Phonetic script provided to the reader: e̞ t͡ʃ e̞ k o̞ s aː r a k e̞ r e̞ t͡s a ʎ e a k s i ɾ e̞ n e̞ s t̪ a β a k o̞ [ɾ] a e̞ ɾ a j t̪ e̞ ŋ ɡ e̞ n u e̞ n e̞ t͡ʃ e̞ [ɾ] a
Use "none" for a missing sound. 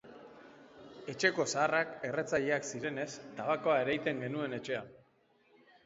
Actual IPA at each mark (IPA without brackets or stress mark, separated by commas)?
none, none